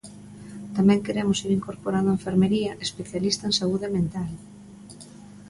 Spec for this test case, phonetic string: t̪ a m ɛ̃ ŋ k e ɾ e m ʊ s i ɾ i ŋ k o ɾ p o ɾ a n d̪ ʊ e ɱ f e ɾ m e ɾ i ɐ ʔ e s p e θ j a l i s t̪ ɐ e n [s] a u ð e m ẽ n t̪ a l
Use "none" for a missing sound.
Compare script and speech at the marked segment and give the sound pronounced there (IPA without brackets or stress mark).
s